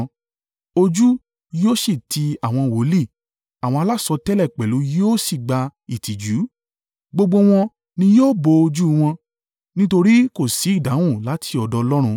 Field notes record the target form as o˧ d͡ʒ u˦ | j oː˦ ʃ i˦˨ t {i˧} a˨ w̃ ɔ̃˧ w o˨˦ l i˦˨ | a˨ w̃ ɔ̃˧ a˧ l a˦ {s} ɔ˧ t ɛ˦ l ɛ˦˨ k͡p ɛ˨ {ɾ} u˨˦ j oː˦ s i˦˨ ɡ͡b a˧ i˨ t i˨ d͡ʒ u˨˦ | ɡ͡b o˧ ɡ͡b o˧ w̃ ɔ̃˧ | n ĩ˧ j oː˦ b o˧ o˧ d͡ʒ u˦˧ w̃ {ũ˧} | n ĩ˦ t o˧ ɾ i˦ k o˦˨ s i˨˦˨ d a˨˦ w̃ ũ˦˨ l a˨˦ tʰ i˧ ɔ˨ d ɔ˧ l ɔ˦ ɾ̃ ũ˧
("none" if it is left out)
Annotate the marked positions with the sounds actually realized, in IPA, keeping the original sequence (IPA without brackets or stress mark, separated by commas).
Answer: i˧, s, l, ɔ̃˧